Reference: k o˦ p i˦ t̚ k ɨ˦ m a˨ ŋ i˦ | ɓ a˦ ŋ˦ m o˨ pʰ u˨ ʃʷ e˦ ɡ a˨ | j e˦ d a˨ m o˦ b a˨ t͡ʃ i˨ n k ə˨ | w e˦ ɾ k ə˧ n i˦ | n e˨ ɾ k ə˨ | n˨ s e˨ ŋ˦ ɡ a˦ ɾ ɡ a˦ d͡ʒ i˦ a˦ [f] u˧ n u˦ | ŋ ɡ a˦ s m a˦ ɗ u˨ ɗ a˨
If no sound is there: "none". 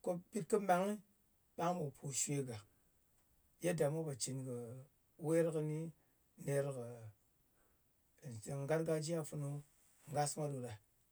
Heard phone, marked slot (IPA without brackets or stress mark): f